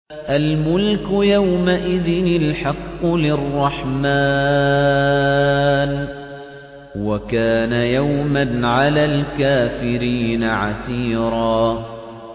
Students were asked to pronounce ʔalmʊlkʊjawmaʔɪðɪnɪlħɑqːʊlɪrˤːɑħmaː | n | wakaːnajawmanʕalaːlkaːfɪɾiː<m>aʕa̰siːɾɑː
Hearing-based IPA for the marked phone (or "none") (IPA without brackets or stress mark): n